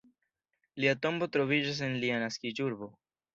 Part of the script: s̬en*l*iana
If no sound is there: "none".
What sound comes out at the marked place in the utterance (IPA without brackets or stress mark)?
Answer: l